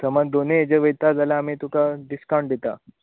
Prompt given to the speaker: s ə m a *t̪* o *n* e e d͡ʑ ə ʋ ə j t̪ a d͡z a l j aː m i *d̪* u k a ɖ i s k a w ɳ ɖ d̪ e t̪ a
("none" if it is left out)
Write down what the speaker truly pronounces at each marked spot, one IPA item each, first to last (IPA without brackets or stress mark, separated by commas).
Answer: d̪, n, t̪